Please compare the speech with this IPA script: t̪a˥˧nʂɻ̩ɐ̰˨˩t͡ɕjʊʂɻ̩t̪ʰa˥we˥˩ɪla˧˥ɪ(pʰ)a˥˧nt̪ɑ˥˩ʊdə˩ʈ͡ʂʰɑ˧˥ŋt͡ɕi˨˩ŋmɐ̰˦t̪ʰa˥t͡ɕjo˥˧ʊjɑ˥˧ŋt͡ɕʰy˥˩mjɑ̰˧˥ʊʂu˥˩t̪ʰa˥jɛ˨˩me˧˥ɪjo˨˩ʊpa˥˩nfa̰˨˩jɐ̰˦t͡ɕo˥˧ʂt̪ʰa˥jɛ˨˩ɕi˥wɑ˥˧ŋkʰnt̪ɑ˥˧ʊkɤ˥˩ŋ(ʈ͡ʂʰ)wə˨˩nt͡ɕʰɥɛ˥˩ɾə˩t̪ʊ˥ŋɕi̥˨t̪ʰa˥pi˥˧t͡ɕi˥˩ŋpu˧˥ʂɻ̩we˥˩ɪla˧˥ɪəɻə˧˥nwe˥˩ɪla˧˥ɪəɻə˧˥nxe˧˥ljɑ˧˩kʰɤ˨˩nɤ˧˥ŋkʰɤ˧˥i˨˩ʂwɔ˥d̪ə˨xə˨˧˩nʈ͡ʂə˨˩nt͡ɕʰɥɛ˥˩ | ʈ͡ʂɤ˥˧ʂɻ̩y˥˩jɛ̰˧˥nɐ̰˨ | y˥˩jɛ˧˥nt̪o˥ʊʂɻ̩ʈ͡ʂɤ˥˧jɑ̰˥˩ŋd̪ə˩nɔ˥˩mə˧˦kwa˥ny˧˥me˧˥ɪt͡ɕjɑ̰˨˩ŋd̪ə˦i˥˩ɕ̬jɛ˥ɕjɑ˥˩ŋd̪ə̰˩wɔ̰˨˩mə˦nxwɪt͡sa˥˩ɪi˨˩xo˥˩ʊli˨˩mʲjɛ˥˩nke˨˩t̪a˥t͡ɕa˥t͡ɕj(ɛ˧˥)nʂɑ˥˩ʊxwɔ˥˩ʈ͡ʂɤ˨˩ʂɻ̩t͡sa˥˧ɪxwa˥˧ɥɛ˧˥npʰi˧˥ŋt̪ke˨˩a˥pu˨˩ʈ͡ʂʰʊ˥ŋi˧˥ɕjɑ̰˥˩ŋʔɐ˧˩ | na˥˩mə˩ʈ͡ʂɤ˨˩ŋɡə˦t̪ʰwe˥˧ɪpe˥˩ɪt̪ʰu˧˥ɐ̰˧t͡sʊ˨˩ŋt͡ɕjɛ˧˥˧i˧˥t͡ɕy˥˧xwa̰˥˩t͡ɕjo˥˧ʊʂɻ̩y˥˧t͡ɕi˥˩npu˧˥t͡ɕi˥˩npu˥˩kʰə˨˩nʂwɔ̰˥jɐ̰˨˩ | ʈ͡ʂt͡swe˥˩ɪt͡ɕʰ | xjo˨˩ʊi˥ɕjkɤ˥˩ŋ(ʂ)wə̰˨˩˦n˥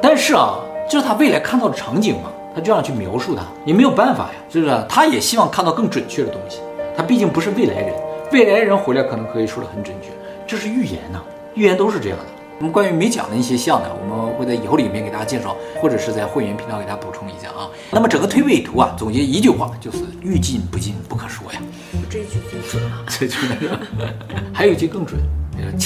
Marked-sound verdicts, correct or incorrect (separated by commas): incorrect, incorrect, incorrect, incorrect